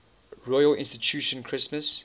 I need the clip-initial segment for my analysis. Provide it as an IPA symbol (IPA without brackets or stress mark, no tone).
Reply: ɹ